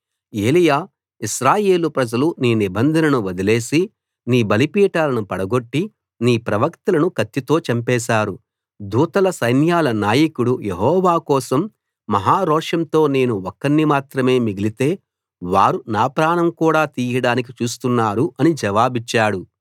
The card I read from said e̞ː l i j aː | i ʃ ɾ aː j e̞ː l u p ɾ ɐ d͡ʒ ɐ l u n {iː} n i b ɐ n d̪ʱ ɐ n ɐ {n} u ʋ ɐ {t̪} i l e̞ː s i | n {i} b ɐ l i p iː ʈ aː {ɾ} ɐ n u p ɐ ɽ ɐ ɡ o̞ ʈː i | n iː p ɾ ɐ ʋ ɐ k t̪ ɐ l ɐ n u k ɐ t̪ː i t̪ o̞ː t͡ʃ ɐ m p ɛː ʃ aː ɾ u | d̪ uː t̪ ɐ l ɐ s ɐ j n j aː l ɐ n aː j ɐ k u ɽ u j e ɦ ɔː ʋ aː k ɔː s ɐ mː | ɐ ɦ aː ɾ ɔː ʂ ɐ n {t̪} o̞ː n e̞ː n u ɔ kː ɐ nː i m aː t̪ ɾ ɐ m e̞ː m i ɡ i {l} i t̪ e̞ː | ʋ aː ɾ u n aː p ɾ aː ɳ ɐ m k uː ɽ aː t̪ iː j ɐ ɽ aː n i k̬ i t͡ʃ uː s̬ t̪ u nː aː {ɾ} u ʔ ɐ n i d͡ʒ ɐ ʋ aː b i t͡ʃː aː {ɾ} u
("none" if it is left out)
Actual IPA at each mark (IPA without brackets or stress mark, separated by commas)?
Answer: iː, n, d̪, iː, l, t̪, l, ɾ, ɽ